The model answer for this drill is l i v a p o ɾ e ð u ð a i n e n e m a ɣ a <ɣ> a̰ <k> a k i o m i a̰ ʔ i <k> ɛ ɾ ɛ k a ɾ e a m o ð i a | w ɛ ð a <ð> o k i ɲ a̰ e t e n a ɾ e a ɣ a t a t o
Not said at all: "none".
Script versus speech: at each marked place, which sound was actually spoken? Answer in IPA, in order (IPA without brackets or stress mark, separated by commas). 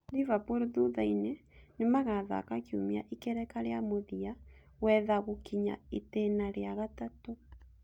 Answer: ð, k, k, ɣ